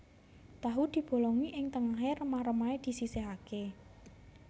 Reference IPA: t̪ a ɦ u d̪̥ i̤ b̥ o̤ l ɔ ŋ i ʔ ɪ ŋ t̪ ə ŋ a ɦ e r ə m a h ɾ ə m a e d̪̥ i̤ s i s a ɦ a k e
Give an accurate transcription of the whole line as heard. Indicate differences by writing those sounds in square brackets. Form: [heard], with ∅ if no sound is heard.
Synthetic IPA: t̪ a ɦ u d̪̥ i̤ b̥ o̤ l ɔ ŋ i ʔ ɪ ŋ t̪ ə ŋ a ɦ e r ə m a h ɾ ə m a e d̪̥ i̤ s i s [e] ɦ a k e